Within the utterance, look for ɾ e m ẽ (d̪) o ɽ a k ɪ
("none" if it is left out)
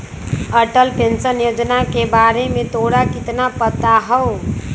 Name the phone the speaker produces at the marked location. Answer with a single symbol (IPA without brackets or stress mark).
t̪